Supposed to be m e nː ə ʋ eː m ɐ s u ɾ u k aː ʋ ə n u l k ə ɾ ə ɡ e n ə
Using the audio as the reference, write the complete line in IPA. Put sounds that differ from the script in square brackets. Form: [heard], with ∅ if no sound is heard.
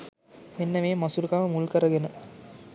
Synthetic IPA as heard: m e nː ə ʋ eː m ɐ s u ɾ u k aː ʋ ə [m] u l k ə ɾ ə ɡ e n ə